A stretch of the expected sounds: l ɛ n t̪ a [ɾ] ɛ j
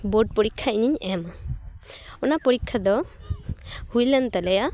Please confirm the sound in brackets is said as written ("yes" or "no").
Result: no